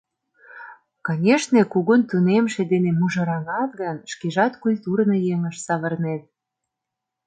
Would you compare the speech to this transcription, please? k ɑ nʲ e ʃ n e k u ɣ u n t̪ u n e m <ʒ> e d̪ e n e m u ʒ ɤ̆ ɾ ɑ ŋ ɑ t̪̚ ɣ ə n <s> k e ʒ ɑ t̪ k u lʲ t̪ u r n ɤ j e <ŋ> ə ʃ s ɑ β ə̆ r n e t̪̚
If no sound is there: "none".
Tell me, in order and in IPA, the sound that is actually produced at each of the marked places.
ʃ, ʃ, ŋ

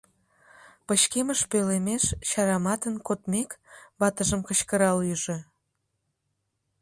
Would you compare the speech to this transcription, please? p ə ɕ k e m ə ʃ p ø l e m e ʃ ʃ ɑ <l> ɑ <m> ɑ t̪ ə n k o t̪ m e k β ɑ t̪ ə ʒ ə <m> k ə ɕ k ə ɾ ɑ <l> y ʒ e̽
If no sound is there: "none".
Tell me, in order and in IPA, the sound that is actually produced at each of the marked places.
ɾ, m, m, l

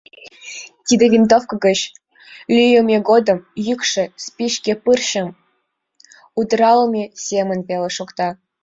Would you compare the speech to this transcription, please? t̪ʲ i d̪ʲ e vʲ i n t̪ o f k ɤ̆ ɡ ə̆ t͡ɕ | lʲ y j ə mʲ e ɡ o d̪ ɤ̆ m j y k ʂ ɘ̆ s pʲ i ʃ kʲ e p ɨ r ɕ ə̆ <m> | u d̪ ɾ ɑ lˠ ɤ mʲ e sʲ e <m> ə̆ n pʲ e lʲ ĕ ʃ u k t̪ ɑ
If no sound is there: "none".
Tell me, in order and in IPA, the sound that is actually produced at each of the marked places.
m, m

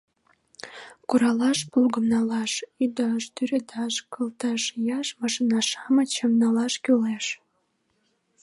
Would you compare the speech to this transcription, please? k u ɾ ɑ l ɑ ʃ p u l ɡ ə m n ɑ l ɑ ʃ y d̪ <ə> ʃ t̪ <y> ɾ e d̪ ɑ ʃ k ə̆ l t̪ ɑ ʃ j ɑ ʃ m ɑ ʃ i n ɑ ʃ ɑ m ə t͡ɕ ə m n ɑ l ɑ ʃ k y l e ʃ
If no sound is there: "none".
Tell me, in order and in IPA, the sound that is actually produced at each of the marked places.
ɑ, y

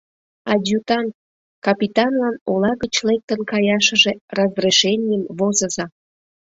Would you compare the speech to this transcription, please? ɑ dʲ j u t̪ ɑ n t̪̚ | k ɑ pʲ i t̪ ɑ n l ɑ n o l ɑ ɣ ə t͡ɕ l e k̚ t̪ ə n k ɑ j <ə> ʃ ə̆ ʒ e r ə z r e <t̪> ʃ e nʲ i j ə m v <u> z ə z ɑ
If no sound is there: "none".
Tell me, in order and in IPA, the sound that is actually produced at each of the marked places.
ɑ, none, o

